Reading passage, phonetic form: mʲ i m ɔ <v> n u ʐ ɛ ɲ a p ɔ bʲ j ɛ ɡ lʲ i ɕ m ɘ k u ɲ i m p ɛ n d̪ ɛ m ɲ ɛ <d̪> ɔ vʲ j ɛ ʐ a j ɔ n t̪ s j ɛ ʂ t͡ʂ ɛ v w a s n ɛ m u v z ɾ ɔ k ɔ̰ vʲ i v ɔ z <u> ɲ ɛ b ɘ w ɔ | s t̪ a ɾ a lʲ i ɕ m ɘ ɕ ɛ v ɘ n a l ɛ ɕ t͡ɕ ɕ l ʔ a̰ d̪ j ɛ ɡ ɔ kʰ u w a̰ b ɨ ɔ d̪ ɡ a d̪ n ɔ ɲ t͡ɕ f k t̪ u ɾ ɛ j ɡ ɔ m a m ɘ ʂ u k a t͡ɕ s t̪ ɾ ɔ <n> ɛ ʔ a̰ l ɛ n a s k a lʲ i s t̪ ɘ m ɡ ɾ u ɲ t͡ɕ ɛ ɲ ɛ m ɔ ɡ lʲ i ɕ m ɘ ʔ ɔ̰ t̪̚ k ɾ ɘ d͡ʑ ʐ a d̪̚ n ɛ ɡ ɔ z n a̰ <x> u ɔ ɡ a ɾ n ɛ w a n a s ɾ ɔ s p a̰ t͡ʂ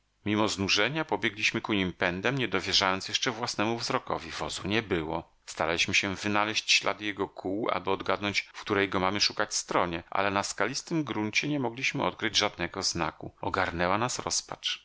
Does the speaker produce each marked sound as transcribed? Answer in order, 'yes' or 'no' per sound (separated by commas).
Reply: no, yes, yes, no, no